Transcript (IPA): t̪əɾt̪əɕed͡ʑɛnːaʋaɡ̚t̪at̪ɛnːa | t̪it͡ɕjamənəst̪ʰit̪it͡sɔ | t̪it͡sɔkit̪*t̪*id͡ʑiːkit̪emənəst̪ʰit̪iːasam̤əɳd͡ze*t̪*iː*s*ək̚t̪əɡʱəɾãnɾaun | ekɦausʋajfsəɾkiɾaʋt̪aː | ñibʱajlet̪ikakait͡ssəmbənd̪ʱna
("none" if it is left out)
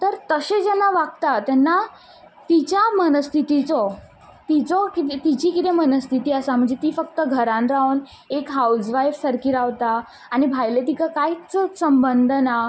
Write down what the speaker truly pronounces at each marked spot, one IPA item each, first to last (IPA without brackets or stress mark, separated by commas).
t̪, t̪, f